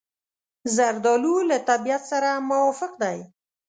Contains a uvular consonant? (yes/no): yes